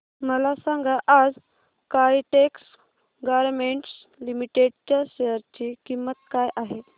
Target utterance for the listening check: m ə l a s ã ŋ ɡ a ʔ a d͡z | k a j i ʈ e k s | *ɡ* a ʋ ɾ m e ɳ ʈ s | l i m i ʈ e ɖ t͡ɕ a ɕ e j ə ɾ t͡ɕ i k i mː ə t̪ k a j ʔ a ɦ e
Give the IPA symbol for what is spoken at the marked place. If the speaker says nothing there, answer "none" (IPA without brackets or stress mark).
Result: ɡ